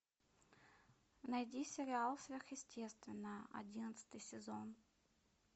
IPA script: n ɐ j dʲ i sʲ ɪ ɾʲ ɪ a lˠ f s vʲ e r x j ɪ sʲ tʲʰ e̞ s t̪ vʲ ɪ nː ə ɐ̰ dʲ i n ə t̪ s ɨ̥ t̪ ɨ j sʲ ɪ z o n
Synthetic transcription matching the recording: n ɐ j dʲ i sʲ ɪ ɾʲ ɪ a lˠ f s vʲ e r x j ɪ sʲ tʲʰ e̞ s t̪ vʲ ɪ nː ə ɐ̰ dʲ i n ə t̪ s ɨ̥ t̪ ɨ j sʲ ɪ z o n